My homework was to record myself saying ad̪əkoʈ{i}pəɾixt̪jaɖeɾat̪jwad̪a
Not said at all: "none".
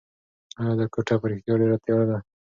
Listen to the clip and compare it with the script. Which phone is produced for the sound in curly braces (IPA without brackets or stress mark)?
a